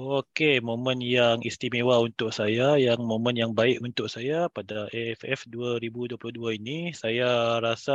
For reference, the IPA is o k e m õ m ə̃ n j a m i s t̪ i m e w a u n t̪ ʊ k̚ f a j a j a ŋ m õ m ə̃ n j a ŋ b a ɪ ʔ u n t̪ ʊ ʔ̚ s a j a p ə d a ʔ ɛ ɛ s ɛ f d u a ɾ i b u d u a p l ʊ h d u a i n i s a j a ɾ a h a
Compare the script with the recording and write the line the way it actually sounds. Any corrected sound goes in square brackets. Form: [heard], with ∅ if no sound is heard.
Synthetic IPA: o k e m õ m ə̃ n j a [ŋ] i s t̪ i m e w a u n t̪ ʊ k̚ [s] a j a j a ŋ m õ m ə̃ n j a ŋ b a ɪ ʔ u n t̪ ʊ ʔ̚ s a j a p [a] d a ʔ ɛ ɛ [f] ɛ f d u a ɾ i b u d u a p l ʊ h d u a i n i s a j a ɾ a [s] a